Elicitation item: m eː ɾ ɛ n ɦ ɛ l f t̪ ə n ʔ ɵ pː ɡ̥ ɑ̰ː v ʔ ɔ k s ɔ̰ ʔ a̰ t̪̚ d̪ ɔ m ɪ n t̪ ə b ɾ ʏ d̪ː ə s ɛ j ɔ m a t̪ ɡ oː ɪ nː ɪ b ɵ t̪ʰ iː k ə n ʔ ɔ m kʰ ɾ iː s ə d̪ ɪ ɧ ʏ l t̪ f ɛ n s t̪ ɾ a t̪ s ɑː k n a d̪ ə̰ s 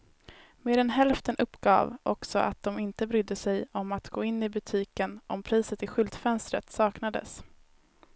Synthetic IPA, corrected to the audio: m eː ɾ ɛ n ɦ ɛ l f t̪ ə n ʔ ɵ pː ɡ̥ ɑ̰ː v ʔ ɔ k s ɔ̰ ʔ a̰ t̪̚ d̪ ɔ m ɪ n t̪ ə b ɾ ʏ d̪ː ə s ɛ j ɔ m a t̪ ɡ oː ɪ nː ɪ b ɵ t̪ʰ iː k ə n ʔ ɔ m pʰ ɾ iː s ə t̪ ɪ ɧ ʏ l t̪ f ɛ n s t̪ ɾ ə t̪ s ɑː k n a d̪ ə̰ s